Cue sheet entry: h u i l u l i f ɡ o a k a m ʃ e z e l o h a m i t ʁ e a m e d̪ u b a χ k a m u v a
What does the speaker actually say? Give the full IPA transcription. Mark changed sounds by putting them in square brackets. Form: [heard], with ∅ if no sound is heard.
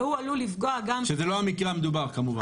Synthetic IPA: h u [a] l u l i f ɡ o a [ɡ] a m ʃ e z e l o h a m i [k] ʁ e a m e d̪ u b a [ʁ] k a m u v a